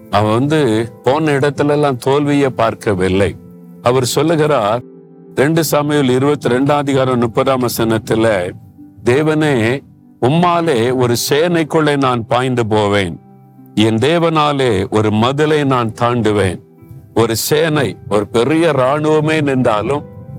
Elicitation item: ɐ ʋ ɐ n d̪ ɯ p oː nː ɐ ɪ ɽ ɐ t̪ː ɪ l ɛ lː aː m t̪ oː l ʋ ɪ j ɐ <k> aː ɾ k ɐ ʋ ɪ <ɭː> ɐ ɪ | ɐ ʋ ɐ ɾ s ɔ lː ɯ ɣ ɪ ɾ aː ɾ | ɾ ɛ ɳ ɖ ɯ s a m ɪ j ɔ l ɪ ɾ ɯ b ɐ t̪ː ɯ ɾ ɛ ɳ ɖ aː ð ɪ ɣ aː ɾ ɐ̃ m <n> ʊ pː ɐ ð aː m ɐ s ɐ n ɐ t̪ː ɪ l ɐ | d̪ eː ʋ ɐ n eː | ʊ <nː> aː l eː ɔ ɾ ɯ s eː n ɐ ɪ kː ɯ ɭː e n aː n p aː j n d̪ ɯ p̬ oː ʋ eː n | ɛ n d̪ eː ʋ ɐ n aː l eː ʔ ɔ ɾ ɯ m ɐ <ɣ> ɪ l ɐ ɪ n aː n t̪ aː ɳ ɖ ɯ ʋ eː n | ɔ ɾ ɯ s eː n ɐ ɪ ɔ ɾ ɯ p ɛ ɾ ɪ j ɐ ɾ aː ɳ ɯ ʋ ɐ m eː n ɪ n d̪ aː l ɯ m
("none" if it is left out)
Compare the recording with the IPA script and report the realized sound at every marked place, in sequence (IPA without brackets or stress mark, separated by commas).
p, lː, n, mː, ð